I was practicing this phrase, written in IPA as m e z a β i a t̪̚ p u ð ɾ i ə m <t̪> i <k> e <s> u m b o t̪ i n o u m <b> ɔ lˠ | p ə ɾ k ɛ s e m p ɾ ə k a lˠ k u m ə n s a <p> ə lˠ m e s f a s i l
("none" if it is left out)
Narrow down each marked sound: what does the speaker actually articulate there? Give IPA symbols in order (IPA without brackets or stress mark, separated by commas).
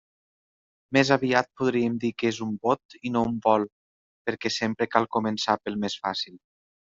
d̪, k, z, b, p